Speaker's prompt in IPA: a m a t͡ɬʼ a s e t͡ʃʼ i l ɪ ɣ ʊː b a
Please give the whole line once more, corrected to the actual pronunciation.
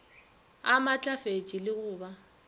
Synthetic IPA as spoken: a m a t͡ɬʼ a f e t͡ʃʼ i l ɪ ɣ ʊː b a